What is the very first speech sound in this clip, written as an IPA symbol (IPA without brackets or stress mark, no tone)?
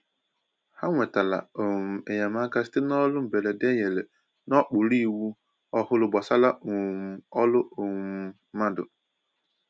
h